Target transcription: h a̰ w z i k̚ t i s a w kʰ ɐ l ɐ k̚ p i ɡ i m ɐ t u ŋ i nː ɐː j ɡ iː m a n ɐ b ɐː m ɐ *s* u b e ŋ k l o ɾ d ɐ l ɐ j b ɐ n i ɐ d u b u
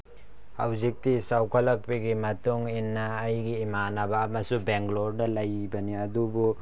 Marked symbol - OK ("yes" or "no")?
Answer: yes